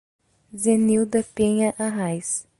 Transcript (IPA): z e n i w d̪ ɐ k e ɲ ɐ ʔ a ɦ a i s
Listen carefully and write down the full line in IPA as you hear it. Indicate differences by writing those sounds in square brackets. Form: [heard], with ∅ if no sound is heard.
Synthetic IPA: z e n i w d̪ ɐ [p] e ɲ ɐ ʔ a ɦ a [j] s